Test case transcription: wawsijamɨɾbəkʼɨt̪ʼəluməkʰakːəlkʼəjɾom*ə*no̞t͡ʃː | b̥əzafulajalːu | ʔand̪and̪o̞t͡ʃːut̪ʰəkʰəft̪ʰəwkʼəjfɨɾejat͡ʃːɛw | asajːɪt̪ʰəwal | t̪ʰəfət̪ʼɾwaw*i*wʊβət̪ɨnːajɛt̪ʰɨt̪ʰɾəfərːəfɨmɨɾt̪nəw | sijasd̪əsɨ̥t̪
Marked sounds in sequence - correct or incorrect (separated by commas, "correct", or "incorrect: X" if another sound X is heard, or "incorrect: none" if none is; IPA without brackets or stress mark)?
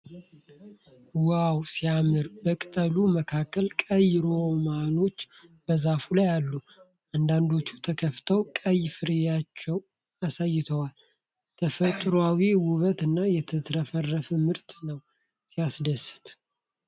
incorrect: a, correct